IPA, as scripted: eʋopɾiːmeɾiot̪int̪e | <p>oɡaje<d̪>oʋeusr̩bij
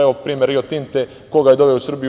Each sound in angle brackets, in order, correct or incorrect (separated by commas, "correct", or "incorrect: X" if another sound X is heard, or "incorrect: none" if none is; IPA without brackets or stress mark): incorrect: k, correct